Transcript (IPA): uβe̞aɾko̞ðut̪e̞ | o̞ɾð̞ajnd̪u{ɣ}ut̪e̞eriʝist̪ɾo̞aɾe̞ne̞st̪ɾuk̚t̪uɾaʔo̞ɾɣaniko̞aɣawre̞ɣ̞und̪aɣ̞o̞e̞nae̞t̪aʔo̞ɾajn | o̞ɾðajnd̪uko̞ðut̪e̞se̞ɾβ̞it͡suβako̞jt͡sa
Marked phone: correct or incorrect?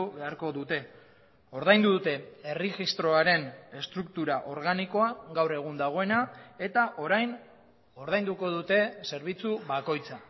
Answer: incorrect